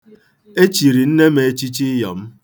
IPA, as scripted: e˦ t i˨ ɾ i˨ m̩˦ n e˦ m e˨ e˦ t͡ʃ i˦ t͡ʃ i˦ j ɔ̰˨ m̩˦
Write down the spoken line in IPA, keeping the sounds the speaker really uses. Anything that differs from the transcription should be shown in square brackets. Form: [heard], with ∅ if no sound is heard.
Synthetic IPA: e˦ [t͡ʃ] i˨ ɾ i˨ [n̩˦] n e˦ m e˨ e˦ t͡ʃ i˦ t͡ʃ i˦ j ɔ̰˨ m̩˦

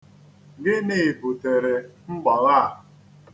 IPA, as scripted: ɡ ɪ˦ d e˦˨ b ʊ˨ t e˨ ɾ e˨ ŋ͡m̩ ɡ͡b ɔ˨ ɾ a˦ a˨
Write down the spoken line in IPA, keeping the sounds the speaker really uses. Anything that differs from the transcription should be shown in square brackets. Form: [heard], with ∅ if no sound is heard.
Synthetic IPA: ɡ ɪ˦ [n] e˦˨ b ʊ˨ t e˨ ɾ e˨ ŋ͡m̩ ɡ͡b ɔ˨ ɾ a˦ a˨

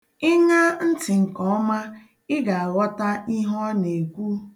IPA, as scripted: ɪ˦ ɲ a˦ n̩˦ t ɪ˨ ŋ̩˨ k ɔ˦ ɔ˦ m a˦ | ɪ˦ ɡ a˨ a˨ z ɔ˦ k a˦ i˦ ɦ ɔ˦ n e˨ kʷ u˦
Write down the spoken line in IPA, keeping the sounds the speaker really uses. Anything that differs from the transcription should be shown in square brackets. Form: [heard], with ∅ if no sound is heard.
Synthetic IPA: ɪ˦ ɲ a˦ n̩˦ t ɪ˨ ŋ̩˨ k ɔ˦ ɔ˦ m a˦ | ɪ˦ ɡ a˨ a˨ [ɣ] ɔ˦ [t] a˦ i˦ ɦ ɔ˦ n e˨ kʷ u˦

